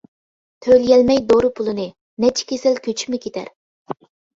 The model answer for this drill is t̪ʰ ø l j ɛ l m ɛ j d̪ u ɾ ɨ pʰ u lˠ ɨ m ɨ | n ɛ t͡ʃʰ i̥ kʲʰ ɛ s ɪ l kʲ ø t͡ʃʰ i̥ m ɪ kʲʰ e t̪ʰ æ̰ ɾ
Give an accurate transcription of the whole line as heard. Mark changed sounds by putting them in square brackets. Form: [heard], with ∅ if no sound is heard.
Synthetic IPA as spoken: t̪ʰ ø l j ɛ l m ɛ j d̪ [o] ɾ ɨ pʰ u lˠ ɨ [n] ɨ | n ɛ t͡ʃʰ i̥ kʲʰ [e] s ɪ l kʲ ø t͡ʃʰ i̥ m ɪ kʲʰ e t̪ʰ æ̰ ɾ